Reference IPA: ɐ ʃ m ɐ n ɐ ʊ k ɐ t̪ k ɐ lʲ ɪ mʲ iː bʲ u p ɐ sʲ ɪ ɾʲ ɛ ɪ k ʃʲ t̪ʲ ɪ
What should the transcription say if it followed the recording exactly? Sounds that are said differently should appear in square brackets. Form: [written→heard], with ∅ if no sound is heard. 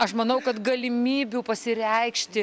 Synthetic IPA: ɐ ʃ m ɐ n ɐ ʊ k ɐ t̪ [k→ɡ] ɐ lʲ ɪ mʲ iː bʲ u p ɐ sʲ ɪ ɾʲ ɛ ɪ k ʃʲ t̪ʲ ɪ